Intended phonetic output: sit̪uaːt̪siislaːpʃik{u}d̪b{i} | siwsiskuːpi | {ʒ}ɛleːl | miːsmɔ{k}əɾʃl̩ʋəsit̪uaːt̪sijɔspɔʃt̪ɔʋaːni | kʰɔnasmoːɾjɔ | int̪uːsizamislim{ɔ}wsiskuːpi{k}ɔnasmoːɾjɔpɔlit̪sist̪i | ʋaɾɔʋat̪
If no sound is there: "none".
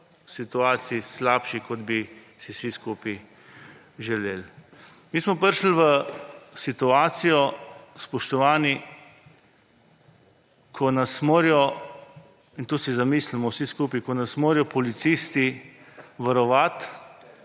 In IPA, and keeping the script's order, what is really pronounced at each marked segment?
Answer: ɔ, i, ʒ, p, ɔ, k

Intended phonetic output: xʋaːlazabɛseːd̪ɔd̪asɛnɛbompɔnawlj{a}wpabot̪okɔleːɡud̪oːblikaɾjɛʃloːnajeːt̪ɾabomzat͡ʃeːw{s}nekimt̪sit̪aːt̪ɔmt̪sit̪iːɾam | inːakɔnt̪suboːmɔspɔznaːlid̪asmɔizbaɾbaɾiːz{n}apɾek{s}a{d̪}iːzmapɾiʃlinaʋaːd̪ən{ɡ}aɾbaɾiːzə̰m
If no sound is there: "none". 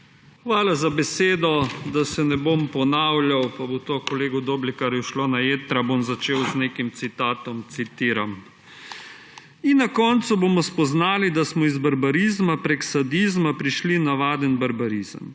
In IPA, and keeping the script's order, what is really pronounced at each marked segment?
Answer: a, z, m, s, d̪, b

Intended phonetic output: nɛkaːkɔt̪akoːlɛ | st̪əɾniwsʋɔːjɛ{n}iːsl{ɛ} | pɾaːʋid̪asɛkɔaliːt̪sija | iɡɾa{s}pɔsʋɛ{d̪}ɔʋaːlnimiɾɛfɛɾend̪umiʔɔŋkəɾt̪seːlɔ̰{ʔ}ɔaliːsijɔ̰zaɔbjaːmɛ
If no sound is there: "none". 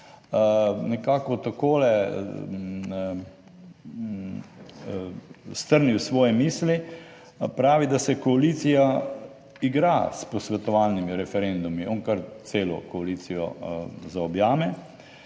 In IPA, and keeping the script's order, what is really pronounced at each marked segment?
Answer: m, i, s, t̪, k

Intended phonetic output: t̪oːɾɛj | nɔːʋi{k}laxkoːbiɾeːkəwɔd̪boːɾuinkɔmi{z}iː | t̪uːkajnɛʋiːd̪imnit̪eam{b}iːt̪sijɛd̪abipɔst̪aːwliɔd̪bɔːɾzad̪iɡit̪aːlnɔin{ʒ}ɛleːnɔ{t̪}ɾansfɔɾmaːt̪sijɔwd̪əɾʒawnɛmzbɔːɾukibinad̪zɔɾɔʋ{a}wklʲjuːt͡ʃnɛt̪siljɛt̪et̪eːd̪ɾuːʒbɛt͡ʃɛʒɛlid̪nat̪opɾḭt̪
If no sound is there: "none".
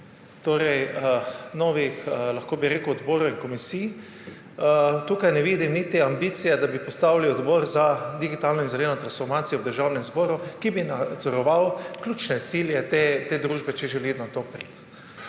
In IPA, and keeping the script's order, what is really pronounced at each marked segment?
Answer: x, s, b, z, t̪, a

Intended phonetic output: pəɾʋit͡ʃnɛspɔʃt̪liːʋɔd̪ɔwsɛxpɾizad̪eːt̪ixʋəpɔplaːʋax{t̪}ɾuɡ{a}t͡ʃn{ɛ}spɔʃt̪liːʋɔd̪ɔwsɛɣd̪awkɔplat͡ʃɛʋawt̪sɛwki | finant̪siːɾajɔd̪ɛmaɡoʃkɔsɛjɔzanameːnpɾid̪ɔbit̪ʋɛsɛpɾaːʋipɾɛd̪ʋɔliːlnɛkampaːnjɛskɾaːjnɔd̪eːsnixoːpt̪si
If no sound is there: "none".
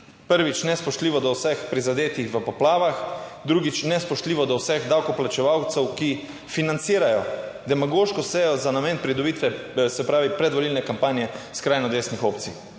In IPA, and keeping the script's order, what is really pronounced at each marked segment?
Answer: d̪, i, ɛ

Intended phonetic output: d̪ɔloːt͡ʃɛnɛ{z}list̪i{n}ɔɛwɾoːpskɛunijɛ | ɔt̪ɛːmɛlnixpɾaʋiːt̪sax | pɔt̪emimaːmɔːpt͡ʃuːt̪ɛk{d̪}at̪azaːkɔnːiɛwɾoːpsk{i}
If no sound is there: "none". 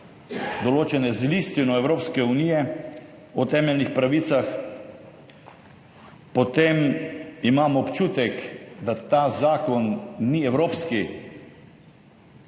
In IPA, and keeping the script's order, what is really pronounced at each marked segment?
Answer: z, n, d̪, i

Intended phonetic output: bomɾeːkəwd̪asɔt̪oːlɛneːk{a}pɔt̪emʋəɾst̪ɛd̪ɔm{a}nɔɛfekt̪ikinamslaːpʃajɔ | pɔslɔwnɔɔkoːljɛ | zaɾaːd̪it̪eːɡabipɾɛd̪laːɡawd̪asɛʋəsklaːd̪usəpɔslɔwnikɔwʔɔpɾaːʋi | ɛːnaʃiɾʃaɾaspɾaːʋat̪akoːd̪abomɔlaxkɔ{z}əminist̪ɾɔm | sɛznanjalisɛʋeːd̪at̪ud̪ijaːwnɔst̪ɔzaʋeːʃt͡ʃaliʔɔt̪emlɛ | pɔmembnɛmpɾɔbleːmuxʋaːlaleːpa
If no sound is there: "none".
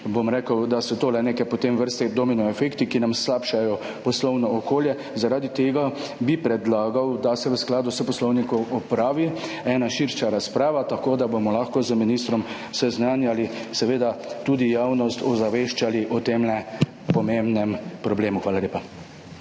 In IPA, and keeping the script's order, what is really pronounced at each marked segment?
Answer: ɛ, i, z

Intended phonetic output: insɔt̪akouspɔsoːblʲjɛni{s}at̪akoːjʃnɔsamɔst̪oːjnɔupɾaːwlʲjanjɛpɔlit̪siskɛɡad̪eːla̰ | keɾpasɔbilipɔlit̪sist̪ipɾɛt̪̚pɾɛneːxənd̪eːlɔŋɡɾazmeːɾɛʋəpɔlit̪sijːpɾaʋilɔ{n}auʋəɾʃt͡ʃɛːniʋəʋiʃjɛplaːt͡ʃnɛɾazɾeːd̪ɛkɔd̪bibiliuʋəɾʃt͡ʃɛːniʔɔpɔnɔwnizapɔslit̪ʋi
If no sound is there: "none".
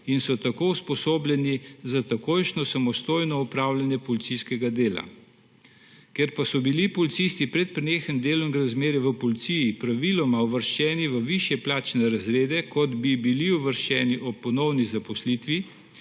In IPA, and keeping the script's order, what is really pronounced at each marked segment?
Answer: z, m

